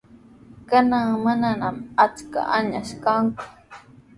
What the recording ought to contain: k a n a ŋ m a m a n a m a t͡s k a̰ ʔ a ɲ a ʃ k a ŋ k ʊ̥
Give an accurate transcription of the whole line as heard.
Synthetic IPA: k a n a ŋ m a n a n a m a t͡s k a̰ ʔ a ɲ a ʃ k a ŋ k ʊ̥